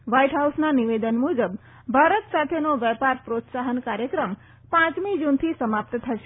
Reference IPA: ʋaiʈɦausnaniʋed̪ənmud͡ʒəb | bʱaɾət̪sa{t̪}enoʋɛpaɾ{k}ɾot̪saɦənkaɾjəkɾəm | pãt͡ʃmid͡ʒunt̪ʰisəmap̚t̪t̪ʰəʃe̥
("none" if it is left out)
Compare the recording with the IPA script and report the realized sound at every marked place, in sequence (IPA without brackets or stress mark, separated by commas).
t̪ʰ, p